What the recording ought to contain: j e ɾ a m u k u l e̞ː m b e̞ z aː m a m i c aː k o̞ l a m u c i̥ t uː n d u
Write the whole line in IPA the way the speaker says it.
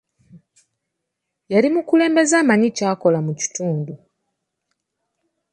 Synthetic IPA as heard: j a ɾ i m u k u l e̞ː m b e̞ z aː m a ɲ i c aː k o̞ l a m u c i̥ t uː n d u